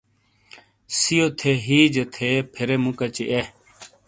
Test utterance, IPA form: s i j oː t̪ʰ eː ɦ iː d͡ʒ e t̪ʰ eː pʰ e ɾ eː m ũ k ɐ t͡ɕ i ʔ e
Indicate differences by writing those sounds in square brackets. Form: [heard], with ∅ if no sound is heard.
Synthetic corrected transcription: s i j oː t̪ʰ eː ɦ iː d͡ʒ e t̪ʰ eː pʰ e ɾ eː m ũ k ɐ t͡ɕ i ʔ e